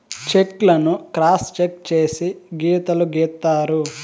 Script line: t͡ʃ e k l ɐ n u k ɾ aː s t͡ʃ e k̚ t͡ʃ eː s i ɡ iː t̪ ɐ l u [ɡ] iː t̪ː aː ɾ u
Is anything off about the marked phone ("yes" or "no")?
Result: no